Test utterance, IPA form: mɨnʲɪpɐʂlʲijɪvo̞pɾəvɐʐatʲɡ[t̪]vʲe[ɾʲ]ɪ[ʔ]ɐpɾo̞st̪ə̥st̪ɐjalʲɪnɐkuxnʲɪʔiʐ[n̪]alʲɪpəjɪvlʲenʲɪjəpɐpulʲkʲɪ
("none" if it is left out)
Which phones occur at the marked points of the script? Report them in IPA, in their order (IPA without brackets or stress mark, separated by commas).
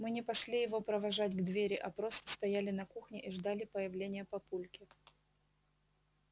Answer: d̪, ɾʲ, ʔ, d̪